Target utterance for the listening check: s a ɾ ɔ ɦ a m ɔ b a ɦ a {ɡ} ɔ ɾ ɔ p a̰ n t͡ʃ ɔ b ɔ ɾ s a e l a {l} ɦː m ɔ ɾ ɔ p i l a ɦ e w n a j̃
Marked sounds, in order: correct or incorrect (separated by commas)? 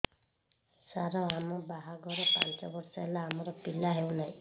correct, incorrect